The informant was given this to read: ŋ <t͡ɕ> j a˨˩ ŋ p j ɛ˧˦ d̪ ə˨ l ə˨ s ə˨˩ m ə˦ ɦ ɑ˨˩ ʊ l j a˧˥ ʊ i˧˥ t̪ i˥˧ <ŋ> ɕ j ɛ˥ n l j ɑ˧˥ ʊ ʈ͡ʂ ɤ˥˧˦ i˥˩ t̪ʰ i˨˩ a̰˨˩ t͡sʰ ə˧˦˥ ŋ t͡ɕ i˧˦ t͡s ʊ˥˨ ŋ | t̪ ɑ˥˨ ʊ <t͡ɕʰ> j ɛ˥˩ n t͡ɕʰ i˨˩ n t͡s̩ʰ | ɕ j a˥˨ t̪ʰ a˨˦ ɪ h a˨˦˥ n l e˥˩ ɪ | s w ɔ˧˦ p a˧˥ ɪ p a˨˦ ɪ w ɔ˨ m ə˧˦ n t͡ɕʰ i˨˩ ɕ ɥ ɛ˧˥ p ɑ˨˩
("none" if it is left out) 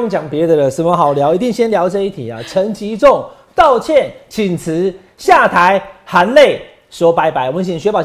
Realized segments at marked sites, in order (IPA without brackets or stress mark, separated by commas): t͡ɕ, ŋ, t͡ɕʰ